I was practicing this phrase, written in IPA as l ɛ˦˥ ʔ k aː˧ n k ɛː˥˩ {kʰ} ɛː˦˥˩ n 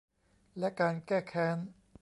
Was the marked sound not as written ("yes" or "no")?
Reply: no